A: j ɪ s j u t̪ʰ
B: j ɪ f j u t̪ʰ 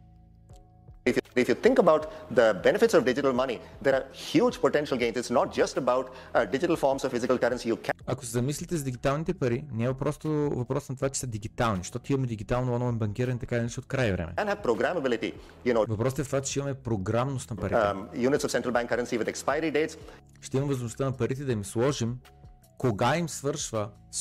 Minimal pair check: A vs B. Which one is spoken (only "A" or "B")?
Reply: B